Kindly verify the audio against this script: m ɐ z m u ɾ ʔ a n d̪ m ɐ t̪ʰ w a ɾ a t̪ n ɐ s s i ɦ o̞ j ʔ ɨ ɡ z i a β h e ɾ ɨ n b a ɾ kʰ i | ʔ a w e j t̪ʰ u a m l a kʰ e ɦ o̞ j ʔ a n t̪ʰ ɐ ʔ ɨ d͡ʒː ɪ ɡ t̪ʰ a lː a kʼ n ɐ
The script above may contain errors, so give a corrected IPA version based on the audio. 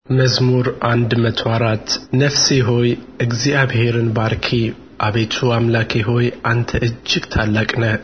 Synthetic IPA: m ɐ z m u ɾ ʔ a n d̪ m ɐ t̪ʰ w a ɾ a t̪ n ɐ f s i ɦ o̞ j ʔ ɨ ɡ z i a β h e ɾ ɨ n b a ɾ kʰ i | ʔ a β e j t̪ʰ u a m l a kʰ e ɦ o̞ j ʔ a n t̪ʰ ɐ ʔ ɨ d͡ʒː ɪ ɡ t̪ʰ a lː a kʼ n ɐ

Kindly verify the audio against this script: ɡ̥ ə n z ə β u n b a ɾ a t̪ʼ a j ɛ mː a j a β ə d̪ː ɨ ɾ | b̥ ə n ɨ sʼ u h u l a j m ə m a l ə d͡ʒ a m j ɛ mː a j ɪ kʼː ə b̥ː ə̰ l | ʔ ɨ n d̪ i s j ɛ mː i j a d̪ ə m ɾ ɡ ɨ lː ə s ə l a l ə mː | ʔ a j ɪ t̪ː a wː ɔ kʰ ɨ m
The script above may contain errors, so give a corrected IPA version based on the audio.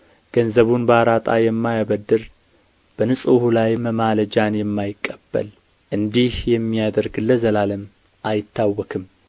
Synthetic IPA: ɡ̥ ə n z ə β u n b a ɾ a t̪ʼ a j ɛ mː a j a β ə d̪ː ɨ ɾ | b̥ ə n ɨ sʼ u h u l a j m ə m a l ə d͡ʒ a n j ɛ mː a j ɪ kʼː ə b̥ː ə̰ l | ʔ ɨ n d̪ i h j ɛ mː i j a d̪ ə ɾ ɡ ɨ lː ə z ə l a l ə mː | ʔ a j ɪ t̪ː a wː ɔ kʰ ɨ m

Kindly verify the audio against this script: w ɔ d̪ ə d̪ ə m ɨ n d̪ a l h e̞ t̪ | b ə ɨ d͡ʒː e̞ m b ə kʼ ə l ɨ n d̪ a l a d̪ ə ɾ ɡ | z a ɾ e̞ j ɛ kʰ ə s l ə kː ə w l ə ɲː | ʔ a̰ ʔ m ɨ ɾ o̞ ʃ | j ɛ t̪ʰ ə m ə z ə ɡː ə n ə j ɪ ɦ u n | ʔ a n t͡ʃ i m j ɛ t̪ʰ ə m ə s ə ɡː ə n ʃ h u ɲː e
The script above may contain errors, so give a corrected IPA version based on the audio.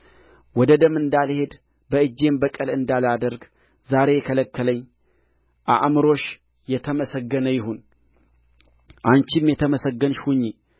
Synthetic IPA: w ɔ d̪ ə d̪ ə m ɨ n d̪ a l h e̞ d̪ | b ə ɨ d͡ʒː e̞ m b ə kʼ ə l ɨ n d̪ a l a d̪ ə ɾ ɡ | z a ɾ e̞ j ɛ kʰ ə l ə kː ə l ə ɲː | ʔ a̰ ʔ m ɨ ɾ o̞ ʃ | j ɛ t̪ʰ ə m ə s ə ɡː ə n ə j ɪ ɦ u n | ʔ a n t͡ʃ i m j ɛ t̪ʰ ə m ə s ə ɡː ə n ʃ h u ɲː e

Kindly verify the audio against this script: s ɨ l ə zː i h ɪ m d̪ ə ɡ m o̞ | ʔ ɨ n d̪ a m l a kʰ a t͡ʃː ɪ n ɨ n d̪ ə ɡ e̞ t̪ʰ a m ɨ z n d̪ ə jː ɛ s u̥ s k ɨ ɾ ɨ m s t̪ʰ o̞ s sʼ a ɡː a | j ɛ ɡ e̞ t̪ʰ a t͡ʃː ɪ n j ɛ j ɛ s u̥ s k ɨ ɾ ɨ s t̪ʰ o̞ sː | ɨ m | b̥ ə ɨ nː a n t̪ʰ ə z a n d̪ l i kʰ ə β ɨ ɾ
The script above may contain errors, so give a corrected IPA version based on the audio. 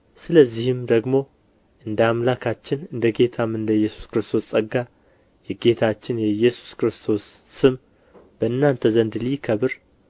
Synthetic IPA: s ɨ l ə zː i h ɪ m d̪ ə ɡ m o̞ | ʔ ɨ n d̪ a m l a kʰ a t͡ʃː ɪ n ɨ n d̪ ə ɡ e̞ t̪ʰ a m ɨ n d̪ ə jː ɛ s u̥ s k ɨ ɾ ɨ s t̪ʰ o̞ s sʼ ə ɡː a | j ɛ ɡ e̞ t̪ʰ a t͡ʃː ɪ n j ɛ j ɛ s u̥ s k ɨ ɾ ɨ s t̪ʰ o̞ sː | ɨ m | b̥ ə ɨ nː a n t̪ʰ ə z ə n d̪ l i kʰ ə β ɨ ɾ

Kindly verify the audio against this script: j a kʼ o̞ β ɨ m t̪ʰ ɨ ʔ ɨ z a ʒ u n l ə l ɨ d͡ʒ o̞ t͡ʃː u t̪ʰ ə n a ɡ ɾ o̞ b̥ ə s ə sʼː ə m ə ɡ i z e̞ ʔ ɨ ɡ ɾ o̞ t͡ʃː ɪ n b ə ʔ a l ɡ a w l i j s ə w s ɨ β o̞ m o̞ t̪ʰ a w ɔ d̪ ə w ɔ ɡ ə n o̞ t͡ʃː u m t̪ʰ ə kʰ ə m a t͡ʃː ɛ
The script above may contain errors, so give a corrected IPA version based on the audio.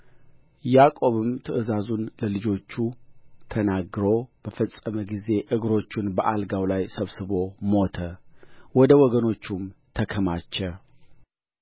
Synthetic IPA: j a kʼ o̞ β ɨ m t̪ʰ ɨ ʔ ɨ z a z u n l ə l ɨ d͡ʒ o̞ t͡ʃː u t̪ʰ ə n a ɡ ɾ o̞ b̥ ə f ə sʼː ə m ə ɡ i z e̞ ʔ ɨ ɡ ɾ o̞ t͡ʃː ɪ n b ə ʔ a l ɡ a w l a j s ə β s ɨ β o̞ m o̞ t̪ʰ ə w ɔ d̪ ə w ɔ ɡ ə n o̞ t͡ʃː u m t̪ʰ ə kʰ ə m a t͡ʃː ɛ

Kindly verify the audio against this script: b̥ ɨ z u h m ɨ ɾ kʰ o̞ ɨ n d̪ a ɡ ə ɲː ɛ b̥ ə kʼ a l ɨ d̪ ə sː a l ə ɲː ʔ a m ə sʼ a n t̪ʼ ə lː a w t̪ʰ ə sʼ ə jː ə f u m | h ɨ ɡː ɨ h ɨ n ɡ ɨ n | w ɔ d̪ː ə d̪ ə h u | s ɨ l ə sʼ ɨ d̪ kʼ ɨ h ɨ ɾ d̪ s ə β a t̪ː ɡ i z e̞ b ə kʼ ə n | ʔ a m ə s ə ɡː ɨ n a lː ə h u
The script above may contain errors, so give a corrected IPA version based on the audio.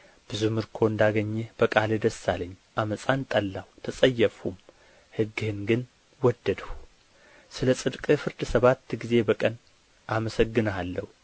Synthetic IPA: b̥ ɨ z u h m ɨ ɾ kʰ o̞ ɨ n d̪ a ɡ ə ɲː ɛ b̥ ə kʼ a l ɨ d̪ ə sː a l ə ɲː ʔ a m ə sʼ a n t̪ʼ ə lː a w t̪ʰ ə sʼ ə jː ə f u m | h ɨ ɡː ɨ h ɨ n ɡ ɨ n | w ɔ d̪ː ə d̪ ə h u | s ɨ l ə sʼ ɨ d̪ kʼ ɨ f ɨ ɾ d̪ s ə β a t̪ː ɡ i z e̞ b ə kʼ ə n | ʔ a m ə s ə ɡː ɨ n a lː ə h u

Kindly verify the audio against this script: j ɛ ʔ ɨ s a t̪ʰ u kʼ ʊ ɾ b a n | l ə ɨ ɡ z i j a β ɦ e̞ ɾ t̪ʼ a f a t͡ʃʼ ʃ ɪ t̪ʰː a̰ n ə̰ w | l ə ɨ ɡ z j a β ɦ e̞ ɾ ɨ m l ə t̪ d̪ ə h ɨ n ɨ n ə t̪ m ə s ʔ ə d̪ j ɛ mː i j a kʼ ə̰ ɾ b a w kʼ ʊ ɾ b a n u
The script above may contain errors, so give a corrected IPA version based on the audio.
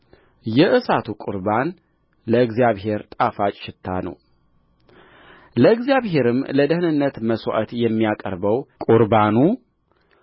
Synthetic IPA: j ɛ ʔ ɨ s a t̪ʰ u kʼ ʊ ɾ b a n | l ə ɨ ɡ z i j a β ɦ e̞ ɾ t̪ʼ a f a t͡ʃʼ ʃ ɪ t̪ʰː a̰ n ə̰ w | l ə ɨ ɡ z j a β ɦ e̞ ɾ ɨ m l ə d̪ ə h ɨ n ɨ nː ə t̪ m ə s ʔ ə t̪ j ɛ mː i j a kʼ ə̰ ɾ b ə w kʼ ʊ ɾ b a n u

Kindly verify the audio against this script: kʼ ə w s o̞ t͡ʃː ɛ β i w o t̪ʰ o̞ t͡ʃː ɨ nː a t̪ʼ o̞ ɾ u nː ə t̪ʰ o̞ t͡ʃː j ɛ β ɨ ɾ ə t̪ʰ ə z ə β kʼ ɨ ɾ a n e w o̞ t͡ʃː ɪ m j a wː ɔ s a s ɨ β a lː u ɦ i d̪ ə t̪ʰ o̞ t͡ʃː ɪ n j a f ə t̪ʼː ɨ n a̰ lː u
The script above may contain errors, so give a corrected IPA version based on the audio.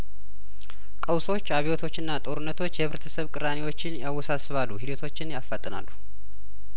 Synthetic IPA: kʼ ə w s o̞ t͡ʃː a β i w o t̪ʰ o̞ t͡ʃː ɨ nː a t̪ʼ o̞ ɾ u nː ə t̪ʰ o̞ t͡ʃː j ɛ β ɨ ɾ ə t̪ʰ ə s ə β kʼ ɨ ɾ a n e w o̞ t͡ʃː ɪ n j a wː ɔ s a s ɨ β a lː u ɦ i d̪ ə t̪ʰ o̞ t͡ʃː ɪ n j a f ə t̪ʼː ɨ n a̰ lː u

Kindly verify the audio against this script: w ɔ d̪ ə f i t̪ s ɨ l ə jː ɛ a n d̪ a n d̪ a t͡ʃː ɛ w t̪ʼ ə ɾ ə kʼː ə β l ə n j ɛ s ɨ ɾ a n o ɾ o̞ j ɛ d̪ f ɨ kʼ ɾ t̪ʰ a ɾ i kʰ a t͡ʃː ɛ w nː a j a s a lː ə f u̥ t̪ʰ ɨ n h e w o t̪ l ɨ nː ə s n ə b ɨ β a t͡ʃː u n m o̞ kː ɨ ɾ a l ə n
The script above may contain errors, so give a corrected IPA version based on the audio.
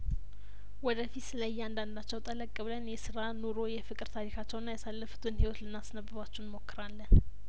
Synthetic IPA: w ɔ d̪ ə f i t̪ s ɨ l ə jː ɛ a n d̪ a n d̪ a t͡ʃː ɛ w t̪ʼ ə l ə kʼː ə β l ə n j ɛ s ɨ ɾ a n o ɾ o̞ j ɛ f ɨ kʼ ɾ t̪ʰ a ɾ i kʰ a t͡ʃː ɛ w nː a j a s a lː ə f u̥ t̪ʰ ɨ n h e w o t̪ l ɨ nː a s n ə b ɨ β a t͡ʃː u n m o̞ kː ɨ ɾ a lː ə n

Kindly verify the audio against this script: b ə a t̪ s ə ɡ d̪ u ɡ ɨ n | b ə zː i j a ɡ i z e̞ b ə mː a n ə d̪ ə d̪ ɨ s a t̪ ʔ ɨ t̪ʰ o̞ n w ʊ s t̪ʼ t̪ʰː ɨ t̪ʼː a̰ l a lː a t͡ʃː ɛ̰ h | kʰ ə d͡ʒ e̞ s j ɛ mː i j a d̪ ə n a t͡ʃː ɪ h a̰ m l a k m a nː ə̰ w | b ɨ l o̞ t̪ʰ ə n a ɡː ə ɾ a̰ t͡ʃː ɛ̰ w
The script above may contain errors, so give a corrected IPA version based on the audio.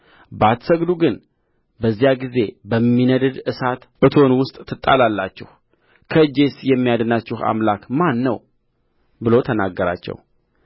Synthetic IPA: b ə a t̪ s ə ɡ d̪ u ɡ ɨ n | b ə zː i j a ɡ i z e̞ b ə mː i n ə d̪ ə d̪ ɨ s a t̪ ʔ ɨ t̪ʰ o̞ n w ʊ s t̪ʼ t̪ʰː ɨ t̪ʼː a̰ l a lː a t͡ʃː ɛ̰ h | kʰ ə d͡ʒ e̞ s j ɛ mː i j a d̪ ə n a t͡ʃː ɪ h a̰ m l a k m a nː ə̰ w | b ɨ l o̞ t̪ʰ ə n a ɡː ə ɾ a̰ t͡ʃː ɛ̰ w

